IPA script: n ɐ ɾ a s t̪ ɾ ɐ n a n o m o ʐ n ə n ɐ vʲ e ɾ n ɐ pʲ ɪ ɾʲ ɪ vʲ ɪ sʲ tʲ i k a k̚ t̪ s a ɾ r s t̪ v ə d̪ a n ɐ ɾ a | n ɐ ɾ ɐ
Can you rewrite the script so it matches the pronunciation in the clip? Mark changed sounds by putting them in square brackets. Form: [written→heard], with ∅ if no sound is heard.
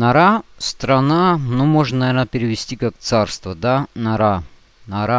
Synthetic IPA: n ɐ ɾ a s t̪ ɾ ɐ n a n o m o ʐ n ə n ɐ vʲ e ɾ n [ɐ→ə] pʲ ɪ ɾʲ ɪ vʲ ɪ sʲ tʲ i k a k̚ t̪ s a [ɾ→∅] r s t̪ v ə d̪ a n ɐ ɾ a | n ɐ ɾ [ɐ→a]